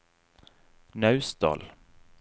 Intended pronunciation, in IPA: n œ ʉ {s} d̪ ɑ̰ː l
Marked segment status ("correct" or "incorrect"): correct